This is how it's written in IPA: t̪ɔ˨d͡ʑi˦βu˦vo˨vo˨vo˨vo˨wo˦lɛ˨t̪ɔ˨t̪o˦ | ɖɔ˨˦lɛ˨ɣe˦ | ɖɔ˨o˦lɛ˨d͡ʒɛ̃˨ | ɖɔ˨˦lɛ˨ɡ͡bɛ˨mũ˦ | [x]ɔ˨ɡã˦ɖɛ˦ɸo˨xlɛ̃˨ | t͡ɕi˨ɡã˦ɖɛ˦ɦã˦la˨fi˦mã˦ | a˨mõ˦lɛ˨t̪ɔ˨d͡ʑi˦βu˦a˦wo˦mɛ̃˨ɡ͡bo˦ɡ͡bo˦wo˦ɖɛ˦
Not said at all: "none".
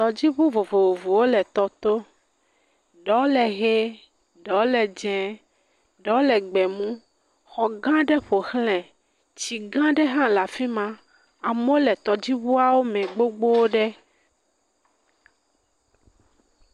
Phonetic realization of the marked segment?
x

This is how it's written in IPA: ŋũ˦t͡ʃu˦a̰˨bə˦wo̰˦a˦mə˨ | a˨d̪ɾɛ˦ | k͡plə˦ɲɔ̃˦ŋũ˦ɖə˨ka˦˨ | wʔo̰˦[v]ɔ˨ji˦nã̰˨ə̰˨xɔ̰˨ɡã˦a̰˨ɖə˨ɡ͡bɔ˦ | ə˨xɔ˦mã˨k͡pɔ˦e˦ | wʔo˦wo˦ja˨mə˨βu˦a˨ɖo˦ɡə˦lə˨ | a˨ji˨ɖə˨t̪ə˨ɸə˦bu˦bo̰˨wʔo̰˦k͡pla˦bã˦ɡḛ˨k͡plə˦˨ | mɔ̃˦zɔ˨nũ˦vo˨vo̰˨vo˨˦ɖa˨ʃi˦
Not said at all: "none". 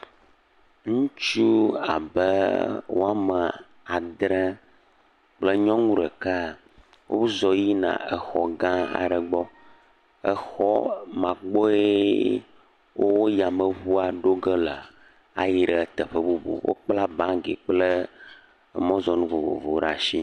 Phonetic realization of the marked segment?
z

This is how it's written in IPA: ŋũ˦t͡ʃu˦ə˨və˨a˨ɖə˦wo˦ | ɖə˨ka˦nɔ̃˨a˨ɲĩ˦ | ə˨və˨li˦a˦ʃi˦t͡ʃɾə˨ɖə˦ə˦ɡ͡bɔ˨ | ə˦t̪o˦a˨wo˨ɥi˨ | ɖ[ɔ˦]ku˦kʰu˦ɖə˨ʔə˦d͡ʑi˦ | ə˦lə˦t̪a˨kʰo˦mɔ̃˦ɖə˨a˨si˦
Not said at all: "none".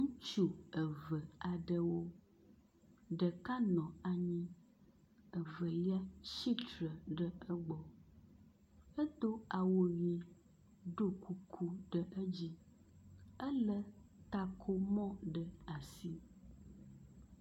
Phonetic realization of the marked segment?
o˦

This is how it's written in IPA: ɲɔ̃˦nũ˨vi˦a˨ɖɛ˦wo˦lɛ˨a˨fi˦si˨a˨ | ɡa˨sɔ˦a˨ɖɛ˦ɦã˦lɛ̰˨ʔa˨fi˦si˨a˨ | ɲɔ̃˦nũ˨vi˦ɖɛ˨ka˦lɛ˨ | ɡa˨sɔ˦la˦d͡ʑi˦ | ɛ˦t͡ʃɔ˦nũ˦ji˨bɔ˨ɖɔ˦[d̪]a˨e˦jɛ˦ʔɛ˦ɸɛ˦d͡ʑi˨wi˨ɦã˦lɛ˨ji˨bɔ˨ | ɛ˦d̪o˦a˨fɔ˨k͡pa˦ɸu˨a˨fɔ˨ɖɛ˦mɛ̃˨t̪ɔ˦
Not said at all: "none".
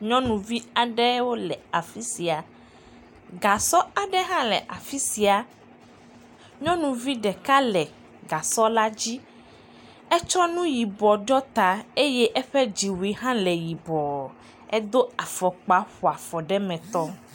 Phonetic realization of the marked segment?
t̪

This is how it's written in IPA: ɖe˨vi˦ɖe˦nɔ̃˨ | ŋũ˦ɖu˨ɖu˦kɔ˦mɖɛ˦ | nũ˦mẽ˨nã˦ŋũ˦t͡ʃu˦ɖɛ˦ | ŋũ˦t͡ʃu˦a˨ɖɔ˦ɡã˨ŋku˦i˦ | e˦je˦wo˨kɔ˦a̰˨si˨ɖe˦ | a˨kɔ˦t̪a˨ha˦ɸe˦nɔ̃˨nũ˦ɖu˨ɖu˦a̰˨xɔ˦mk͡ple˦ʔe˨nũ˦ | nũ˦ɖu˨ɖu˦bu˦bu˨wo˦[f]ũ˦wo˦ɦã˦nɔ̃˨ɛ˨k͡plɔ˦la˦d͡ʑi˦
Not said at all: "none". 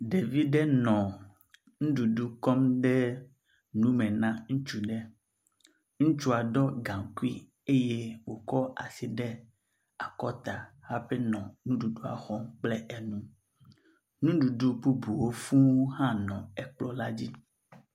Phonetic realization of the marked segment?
f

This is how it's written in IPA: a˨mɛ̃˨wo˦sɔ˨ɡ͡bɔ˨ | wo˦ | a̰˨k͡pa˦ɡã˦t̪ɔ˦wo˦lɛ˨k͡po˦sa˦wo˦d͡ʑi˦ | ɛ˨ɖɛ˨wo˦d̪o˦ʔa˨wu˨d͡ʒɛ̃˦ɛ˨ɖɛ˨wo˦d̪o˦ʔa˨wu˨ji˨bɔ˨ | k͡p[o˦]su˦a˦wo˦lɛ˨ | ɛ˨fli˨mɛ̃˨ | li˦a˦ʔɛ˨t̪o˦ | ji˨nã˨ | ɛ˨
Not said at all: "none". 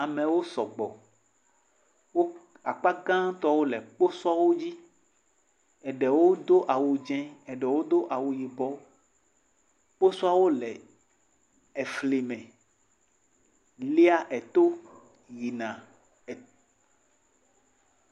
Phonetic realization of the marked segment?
o˦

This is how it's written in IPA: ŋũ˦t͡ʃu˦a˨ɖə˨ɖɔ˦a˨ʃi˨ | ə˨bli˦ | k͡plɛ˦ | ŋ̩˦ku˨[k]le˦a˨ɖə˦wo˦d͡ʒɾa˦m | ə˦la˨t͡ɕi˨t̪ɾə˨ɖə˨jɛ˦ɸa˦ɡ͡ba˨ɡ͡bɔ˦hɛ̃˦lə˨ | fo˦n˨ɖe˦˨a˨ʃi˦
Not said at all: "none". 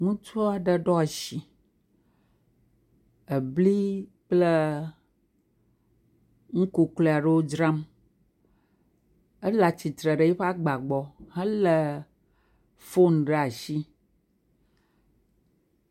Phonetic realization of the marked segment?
k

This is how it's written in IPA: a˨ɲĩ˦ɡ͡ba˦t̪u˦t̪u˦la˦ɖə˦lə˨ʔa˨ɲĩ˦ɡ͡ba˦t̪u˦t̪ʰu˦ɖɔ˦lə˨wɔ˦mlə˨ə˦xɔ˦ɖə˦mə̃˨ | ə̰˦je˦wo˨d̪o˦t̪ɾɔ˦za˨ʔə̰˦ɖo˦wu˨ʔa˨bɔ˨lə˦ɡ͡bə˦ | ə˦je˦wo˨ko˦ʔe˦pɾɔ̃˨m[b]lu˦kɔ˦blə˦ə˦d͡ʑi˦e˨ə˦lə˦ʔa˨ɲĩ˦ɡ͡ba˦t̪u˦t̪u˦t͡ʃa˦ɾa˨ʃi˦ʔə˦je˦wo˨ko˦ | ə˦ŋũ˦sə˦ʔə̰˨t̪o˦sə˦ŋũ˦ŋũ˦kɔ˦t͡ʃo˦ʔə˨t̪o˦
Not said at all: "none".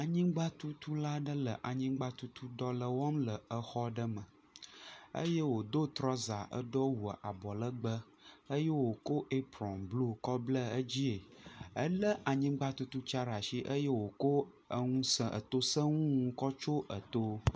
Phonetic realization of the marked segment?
b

